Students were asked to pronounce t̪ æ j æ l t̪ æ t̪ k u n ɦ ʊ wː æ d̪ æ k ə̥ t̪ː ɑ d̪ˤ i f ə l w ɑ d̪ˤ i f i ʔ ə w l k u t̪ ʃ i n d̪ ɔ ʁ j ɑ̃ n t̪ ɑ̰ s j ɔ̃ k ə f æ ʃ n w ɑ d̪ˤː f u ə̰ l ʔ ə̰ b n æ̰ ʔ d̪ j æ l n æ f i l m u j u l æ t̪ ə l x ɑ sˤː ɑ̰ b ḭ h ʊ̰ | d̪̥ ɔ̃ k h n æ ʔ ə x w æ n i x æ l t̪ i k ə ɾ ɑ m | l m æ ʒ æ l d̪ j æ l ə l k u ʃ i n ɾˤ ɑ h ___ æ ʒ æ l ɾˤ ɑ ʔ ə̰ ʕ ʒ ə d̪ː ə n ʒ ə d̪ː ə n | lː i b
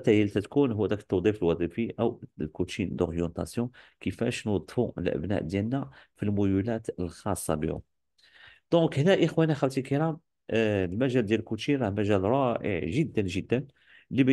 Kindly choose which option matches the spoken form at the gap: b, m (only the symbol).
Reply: m